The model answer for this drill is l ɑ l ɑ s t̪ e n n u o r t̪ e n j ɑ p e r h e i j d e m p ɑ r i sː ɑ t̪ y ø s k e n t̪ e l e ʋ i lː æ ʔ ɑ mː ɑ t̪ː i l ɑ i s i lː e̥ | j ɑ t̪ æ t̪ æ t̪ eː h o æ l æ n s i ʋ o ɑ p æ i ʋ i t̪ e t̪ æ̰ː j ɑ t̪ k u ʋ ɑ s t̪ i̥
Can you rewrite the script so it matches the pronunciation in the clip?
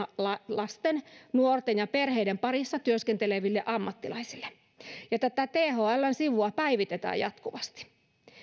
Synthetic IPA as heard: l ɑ l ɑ s t̪ e n n u o r t̪ e n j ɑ p e r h e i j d e m p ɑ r i sː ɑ t̪ y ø s k e n t̪ e l e ʋ i lː e ʔ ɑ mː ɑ t̪ː i l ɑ i s i lː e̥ | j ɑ t̪ æ t̪ æ t̪ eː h o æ lː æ n s i ʋ u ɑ p æ i ʋ i t̪ e t̪ æ̰ː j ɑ t̪ k u ʋ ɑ s t̪ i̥